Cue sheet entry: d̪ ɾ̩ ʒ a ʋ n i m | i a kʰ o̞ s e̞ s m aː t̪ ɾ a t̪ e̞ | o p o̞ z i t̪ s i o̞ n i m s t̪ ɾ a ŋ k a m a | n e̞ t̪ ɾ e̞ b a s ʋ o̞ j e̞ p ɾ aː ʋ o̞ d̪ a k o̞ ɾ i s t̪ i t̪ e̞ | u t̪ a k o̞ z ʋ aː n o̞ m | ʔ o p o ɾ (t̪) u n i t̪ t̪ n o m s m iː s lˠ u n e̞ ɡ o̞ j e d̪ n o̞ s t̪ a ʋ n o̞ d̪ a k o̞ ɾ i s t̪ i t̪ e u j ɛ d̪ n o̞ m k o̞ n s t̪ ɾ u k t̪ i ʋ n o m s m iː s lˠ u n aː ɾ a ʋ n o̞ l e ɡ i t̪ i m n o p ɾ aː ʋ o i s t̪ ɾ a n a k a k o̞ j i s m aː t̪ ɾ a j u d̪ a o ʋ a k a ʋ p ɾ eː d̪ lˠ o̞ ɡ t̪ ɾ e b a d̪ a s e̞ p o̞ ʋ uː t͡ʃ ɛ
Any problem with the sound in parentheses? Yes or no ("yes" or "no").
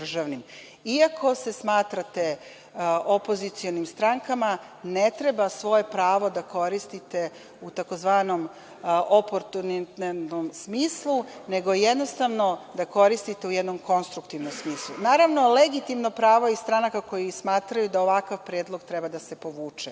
no